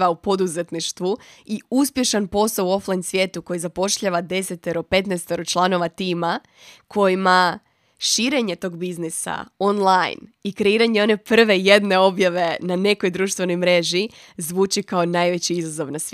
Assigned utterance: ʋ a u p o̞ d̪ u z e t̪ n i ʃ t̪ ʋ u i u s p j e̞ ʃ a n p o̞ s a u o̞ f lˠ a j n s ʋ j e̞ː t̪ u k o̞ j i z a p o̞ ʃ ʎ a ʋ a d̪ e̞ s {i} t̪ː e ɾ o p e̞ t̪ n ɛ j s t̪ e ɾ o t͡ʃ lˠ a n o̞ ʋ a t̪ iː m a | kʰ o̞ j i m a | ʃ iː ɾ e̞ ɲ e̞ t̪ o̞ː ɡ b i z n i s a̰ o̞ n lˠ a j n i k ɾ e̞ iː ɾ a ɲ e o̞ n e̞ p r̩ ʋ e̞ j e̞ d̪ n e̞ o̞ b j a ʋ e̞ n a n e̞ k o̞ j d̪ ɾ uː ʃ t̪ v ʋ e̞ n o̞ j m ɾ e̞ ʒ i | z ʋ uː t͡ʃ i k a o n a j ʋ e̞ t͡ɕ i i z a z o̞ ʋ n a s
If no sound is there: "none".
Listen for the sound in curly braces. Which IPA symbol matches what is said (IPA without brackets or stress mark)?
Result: e